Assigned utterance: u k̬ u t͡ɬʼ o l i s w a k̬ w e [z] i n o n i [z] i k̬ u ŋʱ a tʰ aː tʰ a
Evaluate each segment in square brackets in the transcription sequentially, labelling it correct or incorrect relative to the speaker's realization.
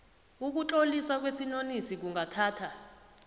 incorrect: s, incorrect: s

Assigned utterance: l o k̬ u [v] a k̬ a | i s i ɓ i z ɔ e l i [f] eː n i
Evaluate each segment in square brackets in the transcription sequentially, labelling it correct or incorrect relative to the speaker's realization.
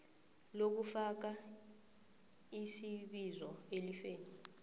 incorrect: f, correct

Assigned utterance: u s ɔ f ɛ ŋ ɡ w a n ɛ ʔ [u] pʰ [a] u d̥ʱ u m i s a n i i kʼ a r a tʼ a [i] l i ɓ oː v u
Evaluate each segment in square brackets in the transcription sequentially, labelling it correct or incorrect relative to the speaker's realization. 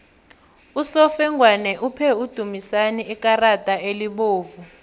correct, incorrect: ɛ, incorrect: e

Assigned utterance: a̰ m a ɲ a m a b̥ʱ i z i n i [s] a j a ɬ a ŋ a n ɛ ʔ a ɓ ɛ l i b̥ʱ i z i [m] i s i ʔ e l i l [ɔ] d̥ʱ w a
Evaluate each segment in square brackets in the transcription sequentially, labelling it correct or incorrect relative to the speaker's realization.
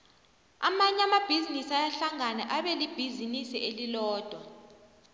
correct, incorrect: n, incorrect: ɔː

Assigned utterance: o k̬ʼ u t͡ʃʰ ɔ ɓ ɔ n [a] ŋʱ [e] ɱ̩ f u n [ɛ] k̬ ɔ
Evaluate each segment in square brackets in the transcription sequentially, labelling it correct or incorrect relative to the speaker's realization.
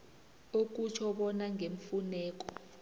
correct, correct, incorrect: ɛː

